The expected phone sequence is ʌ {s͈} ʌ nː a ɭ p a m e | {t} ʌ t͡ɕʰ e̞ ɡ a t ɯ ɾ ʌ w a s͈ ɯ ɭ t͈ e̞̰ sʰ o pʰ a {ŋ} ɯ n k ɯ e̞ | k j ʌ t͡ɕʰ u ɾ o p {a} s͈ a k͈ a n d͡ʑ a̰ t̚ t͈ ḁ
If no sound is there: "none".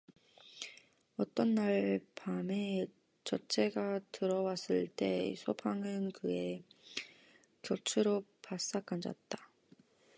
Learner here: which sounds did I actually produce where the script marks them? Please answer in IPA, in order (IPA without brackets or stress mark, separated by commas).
t͈, t͡ɕ, ŋ, a